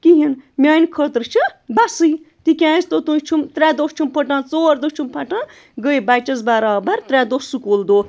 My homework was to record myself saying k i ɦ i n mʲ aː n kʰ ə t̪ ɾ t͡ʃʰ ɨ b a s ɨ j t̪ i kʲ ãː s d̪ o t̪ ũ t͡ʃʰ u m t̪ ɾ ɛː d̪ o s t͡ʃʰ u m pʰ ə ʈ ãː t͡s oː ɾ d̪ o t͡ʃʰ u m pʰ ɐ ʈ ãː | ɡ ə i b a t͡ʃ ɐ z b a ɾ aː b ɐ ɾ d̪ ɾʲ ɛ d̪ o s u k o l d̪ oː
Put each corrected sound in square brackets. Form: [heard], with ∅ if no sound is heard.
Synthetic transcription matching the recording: k i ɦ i n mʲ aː n kʰ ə t̪ ɾ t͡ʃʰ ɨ b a s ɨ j t̪ i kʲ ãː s [t̪] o t̪ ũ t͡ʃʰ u m t̪ ɾ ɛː d̪ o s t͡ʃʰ u m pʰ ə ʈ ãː t͡s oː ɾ d̪ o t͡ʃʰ u m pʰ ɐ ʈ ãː | ɡ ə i b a t͡ʃ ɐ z b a ɾ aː b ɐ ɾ [t̪] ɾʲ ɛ d̪ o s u k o l d̪ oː

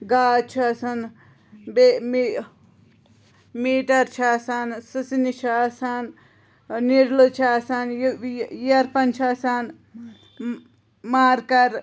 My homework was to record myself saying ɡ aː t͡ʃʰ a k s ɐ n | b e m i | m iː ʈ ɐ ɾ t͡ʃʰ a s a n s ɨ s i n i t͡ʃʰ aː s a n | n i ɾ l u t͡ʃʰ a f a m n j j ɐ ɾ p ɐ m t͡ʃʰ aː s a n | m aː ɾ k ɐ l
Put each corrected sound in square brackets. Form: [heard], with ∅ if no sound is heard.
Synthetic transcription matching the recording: ɡ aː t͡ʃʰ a [∅] s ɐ n | b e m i | m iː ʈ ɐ ɾ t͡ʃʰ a s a n s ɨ s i n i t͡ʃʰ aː s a n | n i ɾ l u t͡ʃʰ a [s] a [∅] n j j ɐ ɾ p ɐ [n] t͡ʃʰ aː s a n | m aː ɾ k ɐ [ɾ]

